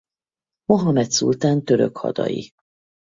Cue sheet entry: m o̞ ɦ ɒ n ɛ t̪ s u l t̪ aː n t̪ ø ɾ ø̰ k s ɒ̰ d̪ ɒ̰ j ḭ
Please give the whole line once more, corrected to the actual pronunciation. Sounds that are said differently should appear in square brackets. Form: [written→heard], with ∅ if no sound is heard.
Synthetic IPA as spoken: m o̞ ɦ ɒ [n→m] ɛ t̪ s u l t̪ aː n t̪ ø ɾ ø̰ k [s→h] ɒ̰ d̪ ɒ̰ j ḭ